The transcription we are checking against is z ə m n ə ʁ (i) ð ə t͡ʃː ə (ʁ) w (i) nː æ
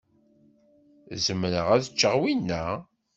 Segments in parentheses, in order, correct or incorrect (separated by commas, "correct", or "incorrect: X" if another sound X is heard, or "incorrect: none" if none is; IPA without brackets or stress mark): incorrect: æ, correct, correct